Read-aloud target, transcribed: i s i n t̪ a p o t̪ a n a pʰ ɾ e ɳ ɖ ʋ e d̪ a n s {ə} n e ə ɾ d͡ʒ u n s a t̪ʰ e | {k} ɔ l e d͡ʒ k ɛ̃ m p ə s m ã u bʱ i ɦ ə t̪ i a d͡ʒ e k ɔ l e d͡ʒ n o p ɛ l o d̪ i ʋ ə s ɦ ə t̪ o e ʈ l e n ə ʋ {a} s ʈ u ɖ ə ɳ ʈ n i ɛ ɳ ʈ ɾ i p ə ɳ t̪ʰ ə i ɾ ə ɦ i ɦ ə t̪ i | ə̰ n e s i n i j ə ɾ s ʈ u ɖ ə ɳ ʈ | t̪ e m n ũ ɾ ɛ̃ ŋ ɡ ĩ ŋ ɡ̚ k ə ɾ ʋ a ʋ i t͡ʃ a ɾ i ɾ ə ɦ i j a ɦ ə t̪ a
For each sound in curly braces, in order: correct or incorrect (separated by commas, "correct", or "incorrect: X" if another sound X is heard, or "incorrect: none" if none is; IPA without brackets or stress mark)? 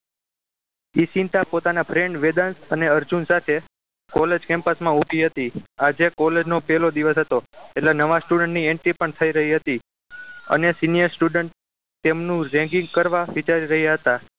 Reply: correct, correct, correct